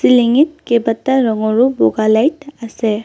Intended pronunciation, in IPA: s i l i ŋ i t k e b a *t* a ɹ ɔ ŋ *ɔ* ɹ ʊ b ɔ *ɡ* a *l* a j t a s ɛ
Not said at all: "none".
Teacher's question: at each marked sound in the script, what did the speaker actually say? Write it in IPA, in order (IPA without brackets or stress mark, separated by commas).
t, ɔ, ɡ, l